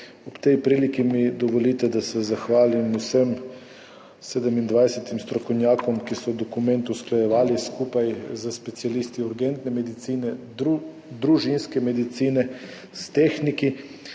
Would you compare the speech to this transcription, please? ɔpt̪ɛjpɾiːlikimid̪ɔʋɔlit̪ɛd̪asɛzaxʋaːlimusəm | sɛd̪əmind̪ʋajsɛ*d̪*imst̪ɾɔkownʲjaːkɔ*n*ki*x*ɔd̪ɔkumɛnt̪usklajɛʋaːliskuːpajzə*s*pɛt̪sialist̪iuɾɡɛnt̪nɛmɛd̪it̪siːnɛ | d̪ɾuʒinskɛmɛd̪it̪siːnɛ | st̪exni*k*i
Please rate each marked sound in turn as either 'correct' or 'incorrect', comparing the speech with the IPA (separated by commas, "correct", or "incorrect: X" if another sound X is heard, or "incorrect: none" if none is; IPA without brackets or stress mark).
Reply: incorrect: t̪, incorrect: m, incorrect: s, correct, correct